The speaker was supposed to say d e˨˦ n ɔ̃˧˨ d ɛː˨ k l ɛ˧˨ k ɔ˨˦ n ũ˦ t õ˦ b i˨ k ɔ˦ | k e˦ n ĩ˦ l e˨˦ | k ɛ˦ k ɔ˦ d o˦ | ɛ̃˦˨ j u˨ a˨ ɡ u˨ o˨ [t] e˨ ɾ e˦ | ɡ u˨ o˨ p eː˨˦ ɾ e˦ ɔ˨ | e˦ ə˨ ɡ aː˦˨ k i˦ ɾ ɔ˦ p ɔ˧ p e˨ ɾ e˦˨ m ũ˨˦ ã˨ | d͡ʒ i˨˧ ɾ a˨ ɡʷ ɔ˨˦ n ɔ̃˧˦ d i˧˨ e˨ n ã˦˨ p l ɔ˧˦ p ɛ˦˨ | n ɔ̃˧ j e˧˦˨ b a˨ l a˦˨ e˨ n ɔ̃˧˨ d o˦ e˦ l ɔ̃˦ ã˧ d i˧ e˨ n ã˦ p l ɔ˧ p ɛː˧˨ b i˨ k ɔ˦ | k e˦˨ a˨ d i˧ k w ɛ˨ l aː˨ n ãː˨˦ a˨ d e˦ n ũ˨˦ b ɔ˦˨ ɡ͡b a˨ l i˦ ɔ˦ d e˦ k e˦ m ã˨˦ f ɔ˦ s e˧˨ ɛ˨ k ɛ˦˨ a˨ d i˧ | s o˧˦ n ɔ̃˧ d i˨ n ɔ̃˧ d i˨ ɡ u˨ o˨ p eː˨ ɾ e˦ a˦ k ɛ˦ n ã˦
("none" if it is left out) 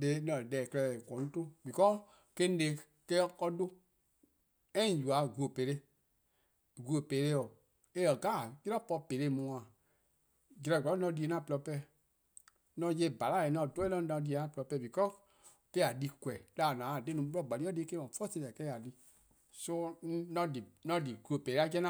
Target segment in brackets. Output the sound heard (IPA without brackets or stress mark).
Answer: p